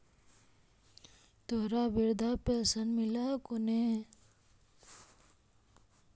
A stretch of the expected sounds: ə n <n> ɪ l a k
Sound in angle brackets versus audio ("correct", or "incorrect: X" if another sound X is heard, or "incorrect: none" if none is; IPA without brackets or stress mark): incorrect: m